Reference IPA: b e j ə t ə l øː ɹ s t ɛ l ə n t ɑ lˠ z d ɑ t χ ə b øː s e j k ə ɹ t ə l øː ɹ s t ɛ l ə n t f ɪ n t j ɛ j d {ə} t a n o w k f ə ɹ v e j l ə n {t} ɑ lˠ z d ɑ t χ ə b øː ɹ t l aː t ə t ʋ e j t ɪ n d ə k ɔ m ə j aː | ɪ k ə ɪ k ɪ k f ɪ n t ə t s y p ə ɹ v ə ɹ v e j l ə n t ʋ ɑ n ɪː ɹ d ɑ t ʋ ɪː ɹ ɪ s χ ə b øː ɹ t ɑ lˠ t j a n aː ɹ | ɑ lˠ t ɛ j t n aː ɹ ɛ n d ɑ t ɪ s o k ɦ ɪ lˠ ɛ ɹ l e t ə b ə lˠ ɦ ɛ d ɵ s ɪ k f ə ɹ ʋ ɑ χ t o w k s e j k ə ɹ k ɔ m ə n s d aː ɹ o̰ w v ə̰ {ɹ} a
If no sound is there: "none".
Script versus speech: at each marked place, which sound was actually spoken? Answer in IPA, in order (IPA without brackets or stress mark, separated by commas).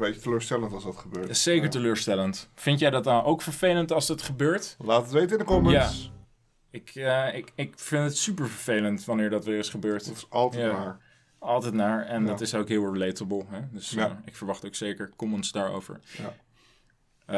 ɑ, t, ɹ